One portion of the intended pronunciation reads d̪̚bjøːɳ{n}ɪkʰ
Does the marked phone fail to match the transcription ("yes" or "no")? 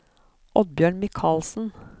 yes